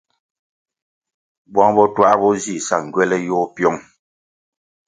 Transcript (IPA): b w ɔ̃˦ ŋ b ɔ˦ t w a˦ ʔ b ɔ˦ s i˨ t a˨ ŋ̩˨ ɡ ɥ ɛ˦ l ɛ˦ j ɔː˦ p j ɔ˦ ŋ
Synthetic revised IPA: b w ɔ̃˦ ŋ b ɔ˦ t w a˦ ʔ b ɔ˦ z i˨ s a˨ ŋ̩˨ ɡ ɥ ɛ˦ l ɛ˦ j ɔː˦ p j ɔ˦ ŋ